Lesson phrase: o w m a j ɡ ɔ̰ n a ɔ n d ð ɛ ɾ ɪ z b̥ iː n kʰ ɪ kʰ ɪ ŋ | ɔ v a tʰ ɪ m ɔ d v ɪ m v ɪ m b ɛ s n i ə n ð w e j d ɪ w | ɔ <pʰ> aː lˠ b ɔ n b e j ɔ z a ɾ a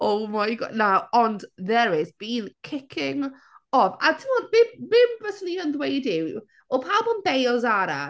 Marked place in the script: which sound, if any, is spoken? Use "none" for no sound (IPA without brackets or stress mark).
pʰ